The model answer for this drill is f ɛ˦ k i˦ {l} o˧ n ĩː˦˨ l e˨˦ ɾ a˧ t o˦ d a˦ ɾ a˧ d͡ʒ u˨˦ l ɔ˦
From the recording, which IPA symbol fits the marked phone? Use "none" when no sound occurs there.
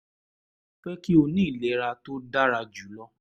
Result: none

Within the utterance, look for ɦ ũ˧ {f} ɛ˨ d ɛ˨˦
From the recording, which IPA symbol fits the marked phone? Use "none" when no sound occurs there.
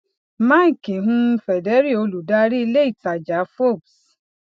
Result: f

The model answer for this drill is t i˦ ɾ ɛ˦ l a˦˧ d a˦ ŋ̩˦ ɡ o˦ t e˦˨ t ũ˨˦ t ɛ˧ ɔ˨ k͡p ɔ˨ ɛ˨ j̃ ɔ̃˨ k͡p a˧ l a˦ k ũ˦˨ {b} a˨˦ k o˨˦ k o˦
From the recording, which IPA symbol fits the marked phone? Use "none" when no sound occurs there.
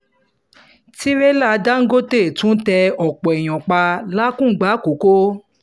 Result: ɡ͡b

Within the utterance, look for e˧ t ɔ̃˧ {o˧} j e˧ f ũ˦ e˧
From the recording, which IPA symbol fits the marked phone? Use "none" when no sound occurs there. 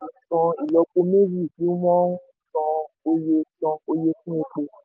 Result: o˧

